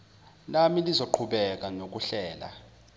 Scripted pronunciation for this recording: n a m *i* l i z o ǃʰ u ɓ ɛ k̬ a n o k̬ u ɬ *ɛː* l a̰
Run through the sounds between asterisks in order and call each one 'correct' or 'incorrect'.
correct, correct

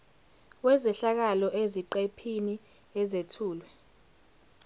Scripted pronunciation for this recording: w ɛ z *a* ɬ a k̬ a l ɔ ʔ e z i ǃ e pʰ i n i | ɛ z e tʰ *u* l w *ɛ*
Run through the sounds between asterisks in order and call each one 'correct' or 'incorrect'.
incorrect: ɛ, incorrect: uː, correct

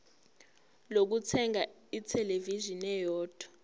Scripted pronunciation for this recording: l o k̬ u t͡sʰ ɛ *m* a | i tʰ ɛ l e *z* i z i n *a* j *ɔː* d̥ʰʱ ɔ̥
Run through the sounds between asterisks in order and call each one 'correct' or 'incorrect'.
incorrect: ŋ, incorrect: v, incorrect: ɛ, correct

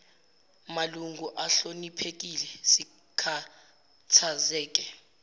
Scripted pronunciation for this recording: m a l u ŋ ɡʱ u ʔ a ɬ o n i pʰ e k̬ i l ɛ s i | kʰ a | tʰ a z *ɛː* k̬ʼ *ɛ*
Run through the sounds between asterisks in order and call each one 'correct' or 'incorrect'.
correct, correct

